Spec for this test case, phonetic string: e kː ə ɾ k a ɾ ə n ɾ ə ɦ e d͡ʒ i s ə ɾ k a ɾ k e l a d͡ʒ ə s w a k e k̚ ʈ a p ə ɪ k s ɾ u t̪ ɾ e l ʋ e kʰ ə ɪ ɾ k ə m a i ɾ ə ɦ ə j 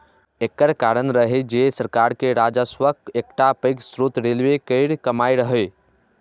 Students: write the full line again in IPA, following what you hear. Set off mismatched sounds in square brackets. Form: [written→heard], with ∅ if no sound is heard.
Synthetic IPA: e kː ə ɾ k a ɾ ə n ɾ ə ɦ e d͡ʒ [i→e] s ə ɾ k a ɾ k e [l→ɾ] a d͡ʒ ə s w [a→ə] k e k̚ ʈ a p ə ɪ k s ɾ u t̪ ɾ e l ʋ e [kʰ→k] ə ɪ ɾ k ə m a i ɾ ə ɦ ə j